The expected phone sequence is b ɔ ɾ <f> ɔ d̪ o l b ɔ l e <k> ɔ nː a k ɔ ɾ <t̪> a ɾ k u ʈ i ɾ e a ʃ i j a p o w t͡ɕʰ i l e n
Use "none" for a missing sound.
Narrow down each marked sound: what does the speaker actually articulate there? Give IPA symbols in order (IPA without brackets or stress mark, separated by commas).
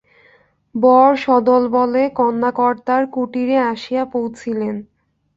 ʃ, k, t̪